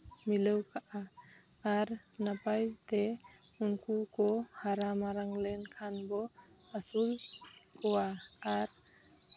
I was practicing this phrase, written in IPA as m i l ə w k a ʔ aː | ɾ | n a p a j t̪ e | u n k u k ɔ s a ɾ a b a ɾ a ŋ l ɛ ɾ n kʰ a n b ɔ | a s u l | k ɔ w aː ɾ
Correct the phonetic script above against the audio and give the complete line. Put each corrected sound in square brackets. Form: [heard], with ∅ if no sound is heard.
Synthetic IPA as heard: m i l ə w k a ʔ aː | ɾ | n a p a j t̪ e | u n k u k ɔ [h] a ɾ a [m] a ɾ a ŋ l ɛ [∅] n kʰ a n b ɔ | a s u l | k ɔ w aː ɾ

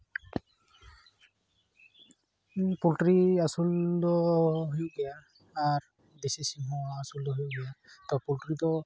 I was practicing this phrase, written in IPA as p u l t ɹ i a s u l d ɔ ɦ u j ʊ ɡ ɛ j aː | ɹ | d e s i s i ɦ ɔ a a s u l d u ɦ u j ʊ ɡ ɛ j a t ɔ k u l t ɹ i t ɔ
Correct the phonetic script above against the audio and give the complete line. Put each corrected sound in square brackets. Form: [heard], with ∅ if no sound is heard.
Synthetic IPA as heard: p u l t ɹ i a s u l d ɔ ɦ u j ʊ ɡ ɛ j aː | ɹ | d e s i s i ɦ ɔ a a s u l d [ɔ] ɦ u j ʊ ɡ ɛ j a t ɔ [p] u l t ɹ i t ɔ

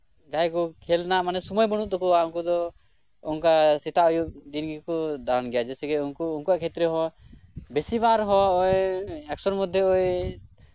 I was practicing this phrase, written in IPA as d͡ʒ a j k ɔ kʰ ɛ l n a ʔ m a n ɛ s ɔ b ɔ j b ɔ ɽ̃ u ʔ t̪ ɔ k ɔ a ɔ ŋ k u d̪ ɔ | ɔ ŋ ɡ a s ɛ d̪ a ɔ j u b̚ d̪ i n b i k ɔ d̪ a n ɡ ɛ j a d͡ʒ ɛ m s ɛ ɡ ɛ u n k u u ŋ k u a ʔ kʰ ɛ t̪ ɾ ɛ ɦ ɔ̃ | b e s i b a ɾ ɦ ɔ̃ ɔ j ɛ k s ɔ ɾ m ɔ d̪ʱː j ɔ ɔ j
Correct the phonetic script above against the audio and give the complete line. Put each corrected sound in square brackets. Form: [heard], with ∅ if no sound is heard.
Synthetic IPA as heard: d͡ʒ a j k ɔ kʰ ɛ l n a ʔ m a n ɛ s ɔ [m] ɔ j b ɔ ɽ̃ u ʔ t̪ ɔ k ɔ a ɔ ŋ k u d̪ ɔ | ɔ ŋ [k] a s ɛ [t̪] a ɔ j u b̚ d̪ i n [ɡ] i k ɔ d̪ a n ɡ ɛ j a d͡ʒ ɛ [∅] s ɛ ɡ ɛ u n k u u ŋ k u a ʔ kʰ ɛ t̪ ɾ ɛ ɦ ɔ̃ | b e s i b a ɾ ɦ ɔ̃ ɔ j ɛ k s ɔ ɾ m ɔ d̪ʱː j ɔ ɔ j

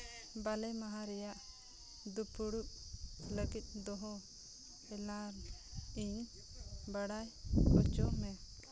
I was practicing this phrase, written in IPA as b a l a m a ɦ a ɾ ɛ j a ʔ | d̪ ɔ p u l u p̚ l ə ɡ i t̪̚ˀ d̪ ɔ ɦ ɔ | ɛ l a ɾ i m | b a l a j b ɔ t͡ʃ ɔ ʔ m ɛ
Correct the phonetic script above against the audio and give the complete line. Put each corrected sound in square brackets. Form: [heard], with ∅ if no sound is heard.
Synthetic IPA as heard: b a l [ɛ] m a ɦ a ɾ ɛ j a ʔ | d̪ [u] p u [ɽ] u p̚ l ə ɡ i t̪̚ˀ d̪ ɔ ɦ ɔ | ɛ l a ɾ i [ɲ] | b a [ɽ] a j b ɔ t͡ʃ ɔ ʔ m ɛ

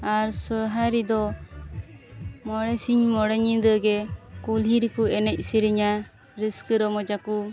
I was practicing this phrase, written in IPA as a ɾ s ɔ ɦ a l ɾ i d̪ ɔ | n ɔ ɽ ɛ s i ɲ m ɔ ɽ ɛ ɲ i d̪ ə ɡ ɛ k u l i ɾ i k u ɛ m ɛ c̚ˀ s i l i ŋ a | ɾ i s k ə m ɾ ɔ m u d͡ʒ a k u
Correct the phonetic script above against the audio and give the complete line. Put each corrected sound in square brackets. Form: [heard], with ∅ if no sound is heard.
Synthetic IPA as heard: a ɾ s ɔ ɦ a [∅] ɾ i d̪ ɔ | [m] ɔ ɽ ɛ s i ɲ m ɔ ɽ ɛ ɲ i d̪ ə ɡ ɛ k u l i ɾ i k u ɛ [n] ɛ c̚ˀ s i [ɾ] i [ɲ] a | ɾ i s k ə [∅] ɾ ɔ m [ɔ] d͡ʒ a k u

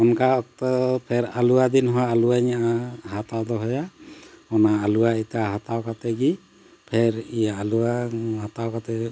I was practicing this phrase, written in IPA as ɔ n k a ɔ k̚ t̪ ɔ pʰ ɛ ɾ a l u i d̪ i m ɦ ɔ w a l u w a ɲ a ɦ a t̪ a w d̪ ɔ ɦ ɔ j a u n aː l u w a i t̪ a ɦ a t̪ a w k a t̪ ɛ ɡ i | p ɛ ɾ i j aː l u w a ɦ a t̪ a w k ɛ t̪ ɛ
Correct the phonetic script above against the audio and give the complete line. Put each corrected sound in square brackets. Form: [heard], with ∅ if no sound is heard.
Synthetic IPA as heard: ɔ n k a ɔ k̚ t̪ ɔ pʰ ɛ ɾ a l u [a] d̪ i [n] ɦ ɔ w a l u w a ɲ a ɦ a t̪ a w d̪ ɔ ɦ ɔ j a [ɔ] n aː l u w a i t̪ a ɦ a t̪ a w k a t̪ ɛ ɡ i | [pʰ] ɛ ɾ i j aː l u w a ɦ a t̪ a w k [a] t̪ ɛ

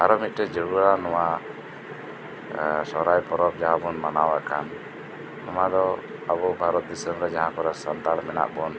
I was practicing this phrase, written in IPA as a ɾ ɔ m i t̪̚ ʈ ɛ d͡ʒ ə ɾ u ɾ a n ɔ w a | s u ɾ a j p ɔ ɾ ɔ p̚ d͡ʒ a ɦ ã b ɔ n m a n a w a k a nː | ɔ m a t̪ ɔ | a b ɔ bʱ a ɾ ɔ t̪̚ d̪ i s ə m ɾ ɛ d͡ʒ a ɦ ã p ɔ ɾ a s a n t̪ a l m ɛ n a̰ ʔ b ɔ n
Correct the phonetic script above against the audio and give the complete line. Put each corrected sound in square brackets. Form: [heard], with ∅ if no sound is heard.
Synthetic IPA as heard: a ɾ ɔ m i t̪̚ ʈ ɛ d͡ʒ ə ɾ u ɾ a n ɔ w a | s [ɔ] ɾ a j p ɔ ɾ ɔ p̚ d͡ʒ a ɦ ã b ɔ n m a n a w a k a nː | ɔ m a [d̪] ɔ | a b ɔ bʱ a ɾ ɔ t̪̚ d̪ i s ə m ɾ ɛ d͡ʒ a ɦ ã [k] ɔ ɾ a s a n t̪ a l m ɛ n a̰ ʔ b ɔ n

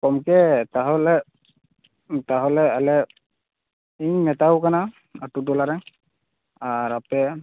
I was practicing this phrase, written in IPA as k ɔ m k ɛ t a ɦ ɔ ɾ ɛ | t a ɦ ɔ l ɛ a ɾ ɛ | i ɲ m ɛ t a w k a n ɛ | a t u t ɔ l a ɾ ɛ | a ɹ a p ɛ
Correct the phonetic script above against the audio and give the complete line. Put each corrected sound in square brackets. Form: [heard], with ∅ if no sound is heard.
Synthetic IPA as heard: k ɔ m k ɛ t a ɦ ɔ [l] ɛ | t a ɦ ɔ l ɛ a [l] ɛ | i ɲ m ɛ t a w k a n [a] | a t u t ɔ l a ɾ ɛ | a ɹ a p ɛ

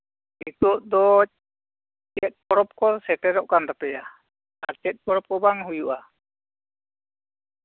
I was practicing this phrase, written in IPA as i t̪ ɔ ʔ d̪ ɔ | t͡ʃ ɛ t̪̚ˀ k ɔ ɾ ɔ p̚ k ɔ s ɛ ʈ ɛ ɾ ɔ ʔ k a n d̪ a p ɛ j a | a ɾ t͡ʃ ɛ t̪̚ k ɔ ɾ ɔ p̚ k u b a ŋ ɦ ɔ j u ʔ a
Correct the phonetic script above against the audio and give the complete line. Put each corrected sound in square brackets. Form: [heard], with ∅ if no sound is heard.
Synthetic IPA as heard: i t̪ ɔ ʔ d̪ ɔ | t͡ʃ ɛ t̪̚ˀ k ɔ ɾ ɔ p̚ k ɔ s ɛ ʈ ɛ ɾ ɔ ʔ k a n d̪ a p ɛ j a | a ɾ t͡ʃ ɛ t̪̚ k ɔ ɾ ɔ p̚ k [ɔ] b a ŋ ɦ [u] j u ʔ a

